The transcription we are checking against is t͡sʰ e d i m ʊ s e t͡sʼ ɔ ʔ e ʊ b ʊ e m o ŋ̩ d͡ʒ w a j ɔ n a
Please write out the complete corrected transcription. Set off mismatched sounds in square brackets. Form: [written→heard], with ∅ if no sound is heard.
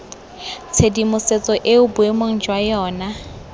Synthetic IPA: t͡sʰ e d i m ʊ s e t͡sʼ ɔ ʔ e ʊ b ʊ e m o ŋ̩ d͡ʒ w a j [ɔ→ɔː] n a